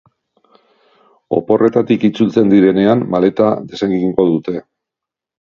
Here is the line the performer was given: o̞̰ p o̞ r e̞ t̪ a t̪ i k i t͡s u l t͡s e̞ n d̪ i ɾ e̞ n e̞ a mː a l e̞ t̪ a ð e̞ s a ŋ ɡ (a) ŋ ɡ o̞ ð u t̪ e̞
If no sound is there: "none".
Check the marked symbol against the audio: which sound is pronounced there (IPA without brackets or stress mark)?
i